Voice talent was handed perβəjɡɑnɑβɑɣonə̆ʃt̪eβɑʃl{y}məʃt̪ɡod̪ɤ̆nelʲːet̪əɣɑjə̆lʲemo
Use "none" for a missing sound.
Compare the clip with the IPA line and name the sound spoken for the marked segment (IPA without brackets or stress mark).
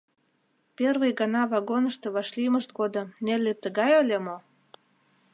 i